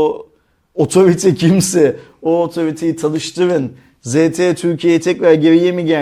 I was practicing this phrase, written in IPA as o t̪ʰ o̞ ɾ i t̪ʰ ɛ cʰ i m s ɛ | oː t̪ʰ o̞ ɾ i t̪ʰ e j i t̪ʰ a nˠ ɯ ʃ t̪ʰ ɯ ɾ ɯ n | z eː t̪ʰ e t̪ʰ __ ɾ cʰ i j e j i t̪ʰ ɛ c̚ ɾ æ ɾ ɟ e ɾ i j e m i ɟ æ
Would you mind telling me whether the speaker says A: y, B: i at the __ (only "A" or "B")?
A